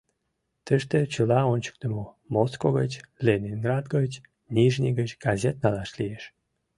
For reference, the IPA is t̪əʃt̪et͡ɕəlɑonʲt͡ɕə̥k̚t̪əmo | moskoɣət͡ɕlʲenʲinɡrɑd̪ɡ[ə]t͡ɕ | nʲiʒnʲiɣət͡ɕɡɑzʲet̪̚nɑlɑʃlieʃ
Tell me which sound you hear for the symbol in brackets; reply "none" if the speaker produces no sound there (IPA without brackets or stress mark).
ə